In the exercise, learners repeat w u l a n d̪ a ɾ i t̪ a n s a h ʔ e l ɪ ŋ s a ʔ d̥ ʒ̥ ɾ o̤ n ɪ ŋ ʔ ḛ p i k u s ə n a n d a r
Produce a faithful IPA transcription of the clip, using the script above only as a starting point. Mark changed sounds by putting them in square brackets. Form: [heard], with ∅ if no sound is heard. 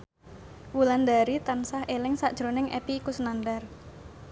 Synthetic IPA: w u l a n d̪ a ɾ i t̪ a n s a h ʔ e l ɪ ŋ s a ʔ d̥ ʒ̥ ɾ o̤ n ɪ ŋ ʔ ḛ p i k u s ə n a n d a r